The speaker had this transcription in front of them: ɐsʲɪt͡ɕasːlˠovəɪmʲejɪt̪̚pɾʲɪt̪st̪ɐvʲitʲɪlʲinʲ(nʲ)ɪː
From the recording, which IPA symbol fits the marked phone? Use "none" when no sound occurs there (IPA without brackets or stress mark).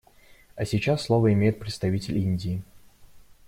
dʲ